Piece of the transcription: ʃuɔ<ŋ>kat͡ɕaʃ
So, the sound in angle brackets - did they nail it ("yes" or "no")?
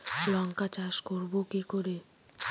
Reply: yes